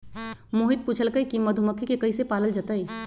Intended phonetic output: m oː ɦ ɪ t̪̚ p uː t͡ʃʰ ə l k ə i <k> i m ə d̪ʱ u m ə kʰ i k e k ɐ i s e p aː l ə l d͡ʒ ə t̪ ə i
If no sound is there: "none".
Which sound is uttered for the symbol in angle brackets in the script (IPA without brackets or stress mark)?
k